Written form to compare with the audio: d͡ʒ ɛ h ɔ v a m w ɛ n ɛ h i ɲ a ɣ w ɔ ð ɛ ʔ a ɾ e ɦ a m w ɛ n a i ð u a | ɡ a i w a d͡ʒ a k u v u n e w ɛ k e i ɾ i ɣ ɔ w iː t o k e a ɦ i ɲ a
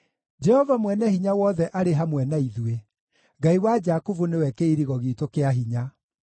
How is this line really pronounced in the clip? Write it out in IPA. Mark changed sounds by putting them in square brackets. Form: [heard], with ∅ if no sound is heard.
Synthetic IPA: d͡ʒ ɛ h ɔ v a m w ɛ n ɛ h i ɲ a [∅] w ɔ ð ɛ ʔ a ɾ e ɦ a m w ɛ n a i ð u [e] | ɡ a i w a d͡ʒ a k u v u n e w ɛ k e i ɾ i ɣ ɔ [ɣ] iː t o k e a ɦ i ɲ a

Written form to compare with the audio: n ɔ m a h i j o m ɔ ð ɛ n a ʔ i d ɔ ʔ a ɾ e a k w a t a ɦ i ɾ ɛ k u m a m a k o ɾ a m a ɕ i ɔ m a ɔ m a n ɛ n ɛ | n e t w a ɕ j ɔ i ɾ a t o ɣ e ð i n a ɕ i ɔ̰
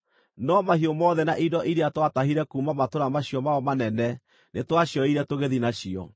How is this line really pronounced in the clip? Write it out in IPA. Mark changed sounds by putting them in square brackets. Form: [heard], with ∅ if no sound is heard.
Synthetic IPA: n ɔ m a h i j o m ɔ ð ɛ n a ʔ i d ɔ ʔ [i] ɾ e a [t] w a t a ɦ i ɾ ɛ k u m a m a [t] o ɾ a m a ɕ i ɔ m a ɔ m a n ɛ n ɛ | n e t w a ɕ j ɔ i ɾ [ɛ] t o ɣ e ð i n a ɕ i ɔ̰

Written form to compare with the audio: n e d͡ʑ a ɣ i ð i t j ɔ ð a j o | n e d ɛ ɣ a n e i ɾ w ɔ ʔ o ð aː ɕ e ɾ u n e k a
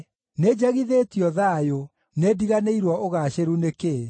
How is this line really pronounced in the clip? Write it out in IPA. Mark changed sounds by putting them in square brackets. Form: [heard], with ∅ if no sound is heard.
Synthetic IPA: n e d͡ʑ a ɣ i ð [e] t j ɔ ð a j o | n e d [i] ɣ a n e i ɾ w ɔ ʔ o [ɣ] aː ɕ e ɾ u n e k [e]

